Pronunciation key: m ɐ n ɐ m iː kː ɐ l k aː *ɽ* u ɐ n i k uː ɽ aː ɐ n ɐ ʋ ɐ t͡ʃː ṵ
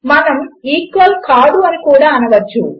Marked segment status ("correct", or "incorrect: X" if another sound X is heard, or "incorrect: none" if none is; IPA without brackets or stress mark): correct